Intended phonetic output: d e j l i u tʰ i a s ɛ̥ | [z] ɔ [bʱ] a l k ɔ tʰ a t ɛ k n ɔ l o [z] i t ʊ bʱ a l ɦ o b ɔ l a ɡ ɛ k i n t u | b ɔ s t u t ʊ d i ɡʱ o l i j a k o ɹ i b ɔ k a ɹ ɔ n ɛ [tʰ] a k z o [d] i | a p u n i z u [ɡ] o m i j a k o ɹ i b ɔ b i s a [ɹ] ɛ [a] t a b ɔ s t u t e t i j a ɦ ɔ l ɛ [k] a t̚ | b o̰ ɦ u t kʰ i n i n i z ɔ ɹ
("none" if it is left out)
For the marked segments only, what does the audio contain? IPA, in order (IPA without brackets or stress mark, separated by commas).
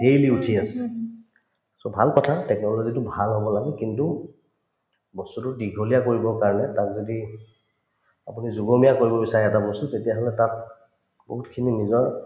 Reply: s, bʱ, z, t, d, ɡ, ɹ, ɛ, t